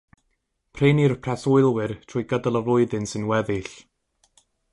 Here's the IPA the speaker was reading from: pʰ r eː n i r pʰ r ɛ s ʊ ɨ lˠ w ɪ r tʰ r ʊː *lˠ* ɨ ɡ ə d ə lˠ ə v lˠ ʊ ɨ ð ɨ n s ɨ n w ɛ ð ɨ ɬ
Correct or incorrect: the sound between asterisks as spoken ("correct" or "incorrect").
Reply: incorrect